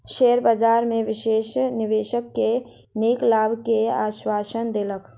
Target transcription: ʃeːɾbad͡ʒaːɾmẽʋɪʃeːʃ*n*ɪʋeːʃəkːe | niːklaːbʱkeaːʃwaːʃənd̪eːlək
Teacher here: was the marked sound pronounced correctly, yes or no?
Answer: yes